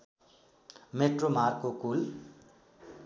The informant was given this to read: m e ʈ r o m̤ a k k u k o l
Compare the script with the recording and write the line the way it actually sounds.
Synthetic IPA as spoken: m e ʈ r o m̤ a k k o k u l